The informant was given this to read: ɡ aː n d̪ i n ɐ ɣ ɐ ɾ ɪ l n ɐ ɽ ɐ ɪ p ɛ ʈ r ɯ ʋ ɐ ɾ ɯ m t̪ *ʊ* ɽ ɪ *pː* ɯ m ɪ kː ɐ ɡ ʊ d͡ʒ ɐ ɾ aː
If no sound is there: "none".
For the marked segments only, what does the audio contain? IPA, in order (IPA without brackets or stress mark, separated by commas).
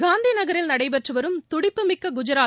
ʊ, pː